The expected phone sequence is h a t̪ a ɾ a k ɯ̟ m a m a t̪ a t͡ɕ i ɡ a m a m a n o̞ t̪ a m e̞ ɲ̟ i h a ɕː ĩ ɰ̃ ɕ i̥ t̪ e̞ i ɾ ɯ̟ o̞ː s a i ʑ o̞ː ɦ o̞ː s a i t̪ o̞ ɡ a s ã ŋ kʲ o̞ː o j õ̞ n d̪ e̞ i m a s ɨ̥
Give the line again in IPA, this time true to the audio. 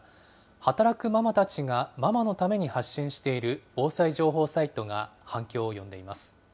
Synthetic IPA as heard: h a t̪ a ɾ a k ɯ̟ m a m a t̪ a t͡ɕ i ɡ a m a m a n o̞ t̪ a m e̞ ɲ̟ i h a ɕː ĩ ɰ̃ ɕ i̥ t̪ e̞ i ɾ ɯ̟ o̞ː s a i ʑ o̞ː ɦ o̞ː s a i t̪ o̞ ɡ a h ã ŋ kʲ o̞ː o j õ̞ n d̪ e̞ i m a s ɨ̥